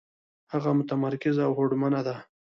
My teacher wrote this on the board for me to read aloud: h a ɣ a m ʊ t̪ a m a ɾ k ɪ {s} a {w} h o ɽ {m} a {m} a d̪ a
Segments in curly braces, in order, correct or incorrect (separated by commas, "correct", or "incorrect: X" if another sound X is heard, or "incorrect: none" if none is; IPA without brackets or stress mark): incorrect: z, correct, correct, incorrect: n